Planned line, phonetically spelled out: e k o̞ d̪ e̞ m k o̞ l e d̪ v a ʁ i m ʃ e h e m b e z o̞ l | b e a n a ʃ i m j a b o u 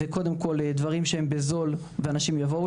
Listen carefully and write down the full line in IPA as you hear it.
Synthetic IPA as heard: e k o̞ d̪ e̞ m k o̞ l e d̪ v a ʁ i m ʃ e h e m b e z o̞ l | v e a n a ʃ i m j a v o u